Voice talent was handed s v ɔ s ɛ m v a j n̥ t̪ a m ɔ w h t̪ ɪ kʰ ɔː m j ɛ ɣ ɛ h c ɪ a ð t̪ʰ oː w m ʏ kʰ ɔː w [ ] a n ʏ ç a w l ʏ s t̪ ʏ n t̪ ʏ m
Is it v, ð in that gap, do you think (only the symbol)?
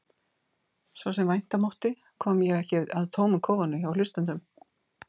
v